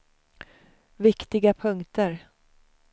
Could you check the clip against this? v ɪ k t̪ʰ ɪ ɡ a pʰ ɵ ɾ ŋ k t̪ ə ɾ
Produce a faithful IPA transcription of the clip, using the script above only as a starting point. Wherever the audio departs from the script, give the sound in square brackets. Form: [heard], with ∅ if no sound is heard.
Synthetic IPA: v ɪ k [t̪] ɪ ɡ a pʰ ɵ [∅] ŋ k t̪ ə ɾ